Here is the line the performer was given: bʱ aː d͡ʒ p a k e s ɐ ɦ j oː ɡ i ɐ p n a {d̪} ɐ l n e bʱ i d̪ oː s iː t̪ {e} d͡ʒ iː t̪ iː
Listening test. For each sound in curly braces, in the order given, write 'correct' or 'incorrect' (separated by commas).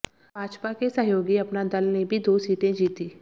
correct, incorrect